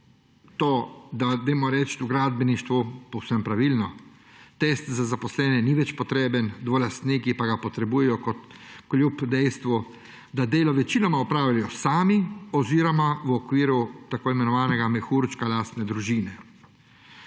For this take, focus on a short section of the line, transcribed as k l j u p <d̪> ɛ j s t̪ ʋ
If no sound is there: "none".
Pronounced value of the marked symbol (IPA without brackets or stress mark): d̪